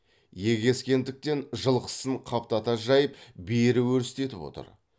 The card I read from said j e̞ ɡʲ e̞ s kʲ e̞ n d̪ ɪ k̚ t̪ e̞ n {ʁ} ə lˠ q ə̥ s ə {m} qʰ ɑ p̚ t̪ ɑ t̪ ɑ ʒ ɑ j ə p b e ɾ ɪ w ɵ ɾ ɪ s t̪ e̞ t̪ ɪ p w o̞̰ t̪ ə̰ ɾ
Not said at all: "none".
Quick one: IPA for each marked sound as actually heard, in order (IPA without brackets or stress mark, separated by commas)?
ʒ, ɴ